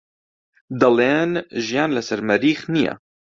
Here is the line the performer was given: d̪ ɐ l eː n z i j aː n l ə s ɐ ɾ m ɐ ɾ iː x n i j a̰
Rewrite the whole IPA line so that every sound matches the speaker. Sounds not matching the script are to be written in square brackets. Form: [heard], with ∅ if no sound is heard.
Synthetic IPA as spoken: d̪ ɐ l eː n [ʒ] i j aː n l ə s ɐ ɾ m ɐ ɾ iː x n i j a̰